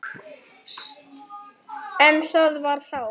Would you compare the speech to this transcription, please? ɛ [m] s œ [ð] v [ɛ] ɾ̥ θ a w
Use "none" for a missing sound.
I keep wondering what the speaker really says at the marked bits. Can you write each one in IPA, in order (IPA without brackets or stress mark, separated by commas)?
n, ð, a